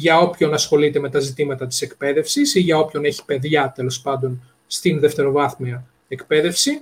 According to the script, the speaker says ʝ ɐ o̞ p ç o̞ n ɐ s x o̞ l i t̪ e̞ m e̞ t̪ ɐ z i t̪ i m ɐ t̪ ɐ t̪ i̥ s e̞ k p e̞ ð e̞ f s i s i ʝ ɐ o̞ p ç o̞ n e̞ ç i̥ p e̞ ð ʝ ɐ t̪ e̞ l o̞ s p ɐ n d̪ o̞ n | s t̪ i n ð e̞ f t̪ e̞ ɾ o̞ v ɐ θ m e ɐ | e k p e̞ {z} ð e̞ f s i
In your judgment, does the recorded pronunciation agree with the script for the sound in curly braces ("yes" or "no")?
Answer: no